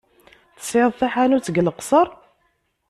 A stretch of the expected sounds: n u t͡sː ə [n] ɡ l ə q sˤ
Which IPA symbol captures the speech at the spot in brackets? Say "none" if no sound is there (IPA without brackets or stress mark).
none